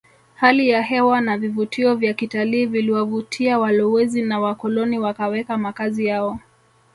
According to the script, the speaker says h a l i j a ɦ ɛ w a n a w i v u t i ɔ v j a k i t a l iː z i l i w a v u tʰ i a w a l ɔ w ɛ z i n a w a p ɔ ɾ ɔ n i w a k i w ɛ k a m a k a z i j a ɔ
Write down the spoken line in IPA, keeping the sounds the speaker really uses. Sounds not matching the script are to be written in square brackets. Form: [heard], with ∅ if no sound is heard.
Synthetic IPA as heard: h a l i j a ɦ ɛ w a n a [v] i v u t i ɔ v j a k i t a l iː [v] i l i w a v u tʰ i a w a l ɔ w ɛ z i n a w a [k] ɔ [l] ɔ n i w a k [a] w ɛ k a m a k a z i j a ɔ